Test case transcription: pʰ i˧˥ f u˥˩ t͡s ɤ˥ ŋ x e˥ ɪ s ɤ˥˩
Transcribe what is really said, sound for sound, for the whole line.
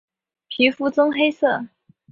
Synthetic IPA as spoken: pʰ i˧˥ f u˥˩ t͡s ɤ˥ ŋ x e˥ ɪ s ɤ˥˩

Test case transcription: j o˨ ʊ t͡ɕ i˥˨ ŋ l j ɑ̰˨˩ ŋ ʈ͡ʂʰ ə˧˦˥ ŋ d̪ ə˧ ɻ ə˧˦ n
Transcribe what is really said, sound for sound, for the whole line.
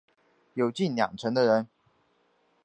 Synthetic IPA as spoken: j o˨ ʊ t͡ɕ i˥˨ n l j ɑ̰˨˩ ŋ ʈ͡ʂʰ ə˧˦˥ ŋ d̪ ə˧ ɻ ə˧˦ n

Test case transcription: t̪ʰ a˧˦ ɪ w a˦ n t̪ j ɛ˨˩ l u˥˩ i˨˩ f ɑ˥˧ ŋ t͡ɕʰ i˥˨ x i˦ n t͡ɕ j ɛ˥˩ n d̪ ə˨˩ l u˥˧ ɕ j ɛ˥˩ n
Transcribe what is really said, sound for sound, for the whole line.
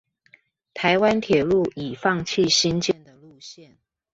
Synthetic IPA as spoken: t̪ʰ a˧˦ ɪ w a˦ n t̪ʰ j ɛ˨˩ l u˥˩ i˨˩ f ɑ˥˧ ŋ t͡ɕʰ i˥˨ ɕ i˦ n t͡ɕ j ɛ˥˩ n d̪ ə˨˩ l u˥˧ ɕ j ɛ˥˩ n

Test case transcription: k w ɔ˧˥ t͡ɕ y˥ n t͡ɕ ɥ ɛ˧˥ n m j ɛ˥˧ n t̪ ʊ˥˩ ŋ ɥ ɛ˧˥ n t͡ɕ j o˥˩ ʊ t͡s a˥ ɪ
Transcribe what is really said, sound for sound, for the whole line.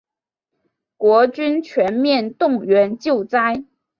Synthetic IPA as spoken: k w ɔ˧˥ t͡ɕ y˥ n t͡ɕʰ ɥ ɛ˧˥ n m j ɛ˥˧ n t̪ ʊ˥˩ ŋ ɥ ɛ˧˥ n t͡ɕ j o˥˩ ʊ t͡s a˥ ɪ

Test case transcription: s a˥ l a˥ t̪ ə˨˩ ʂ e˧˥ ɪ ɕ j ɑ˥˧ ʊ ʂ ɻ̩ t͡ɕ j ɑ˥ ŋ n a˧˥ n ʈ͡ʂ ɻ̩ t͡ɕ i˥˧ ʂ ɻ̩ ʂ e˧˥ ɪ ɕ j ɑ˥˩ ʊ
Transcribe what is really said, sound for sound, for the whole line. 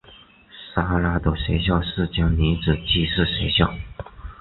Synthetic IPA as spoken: s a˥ l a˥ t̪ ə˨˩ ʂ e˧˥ ɪ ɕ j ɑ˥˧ ʊ ʂ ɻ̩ t͡ɕ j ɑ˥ ŋ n i˧˥ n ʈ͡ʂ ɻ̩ t͡ɕ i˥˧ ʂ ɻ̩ ʂ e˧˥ ɪ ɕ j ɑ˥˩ ʊ

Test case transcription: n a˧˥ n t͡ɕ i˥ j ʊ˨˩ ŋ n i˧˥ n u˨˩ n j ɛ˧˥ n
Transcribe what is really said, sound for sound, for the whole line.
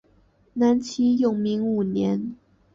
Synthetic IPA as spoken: n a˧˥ n t͡ɕʰ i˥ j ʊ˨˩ ŋ m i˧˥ ŋ u˨˩ n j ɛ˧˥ n

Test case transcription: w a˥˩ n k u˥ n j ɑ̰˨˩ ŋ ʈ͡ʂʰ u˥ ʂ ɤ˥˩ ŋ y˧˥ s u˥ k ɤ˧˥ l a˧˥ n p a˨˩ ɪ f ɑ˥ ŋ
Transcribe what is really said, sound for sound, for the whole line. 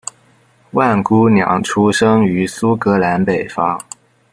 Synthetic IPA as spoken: w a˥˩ n k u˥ n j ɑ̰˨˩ ŋ ʈ͡ʂʰ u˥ ʂ ɤ˥ ŋ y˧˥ s u˥ k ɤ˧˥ l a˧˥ n p e˨˩ ɪ f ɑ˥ ŋ

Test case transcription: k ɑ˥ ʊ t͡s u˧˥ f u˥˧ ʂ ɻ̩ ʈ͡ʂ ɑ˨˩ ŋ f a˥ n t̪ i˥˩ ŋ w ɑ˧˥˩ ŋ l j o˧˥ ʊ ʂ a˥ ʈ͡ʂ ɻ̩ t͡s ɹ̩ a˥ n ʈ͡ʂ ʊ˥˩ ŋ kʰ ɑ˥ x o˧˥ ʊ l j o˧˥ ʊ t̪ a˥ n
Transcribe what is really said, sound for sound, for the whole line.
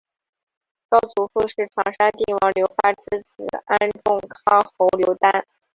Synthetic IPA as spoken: k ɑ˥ ʊ t͡s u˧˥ f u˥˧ ʂ ɻ̩ ʈ͡ʂʰ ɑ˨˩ ŋ ʂ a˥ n t̪ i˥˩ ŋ w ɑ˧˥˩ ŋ l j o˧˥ ʊ f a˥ ʈ͡ʂ ɻ̩ t͡s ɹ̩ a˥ n ʈ͡ʂ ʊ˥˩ ŋ kʰ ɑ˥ x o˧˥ ʊ l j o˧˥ ʊ t̪ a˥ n

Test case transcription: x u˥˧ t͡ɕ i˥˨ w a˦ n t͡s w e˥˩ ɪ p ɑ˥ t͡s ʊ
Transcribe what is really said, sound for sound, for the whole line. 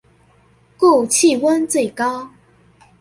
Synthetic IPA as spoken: k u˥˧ t͡ɕʰ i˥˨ w ə˦ n t͡s w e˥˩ ɪ k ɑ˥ ʊ

